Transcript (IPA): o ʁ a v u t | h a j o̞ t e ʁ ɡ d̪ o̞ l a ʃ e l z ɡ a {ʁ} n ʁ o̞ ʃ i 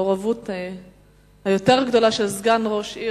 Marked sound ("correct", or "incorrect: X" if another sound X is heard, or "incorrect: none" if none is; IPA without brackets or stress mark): incorrect: none